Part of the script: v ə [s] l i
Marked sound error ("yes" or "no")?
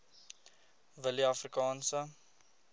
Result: yes